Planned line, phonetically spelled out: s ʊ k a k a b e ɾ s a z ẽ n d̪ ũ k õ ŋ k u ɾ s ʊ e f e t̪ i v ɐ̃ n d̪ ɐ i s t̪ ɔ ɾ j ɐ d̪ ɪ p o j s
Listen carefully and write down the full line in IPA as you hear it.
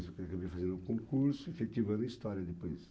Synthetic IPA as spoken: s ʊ k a k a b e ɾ f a z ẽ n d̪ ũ k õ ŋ k u ɾ s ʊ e f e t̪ i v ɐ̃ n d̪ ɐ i s t̪ ɔ ɾ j ɐ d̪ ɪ p o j s